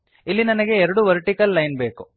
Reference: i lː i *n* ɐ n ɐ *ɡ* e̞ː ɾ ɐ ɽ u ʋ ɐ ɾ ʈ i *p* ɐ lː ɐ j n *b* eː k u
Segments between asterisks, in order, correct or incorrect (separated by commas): correct, correct, incorrect, correct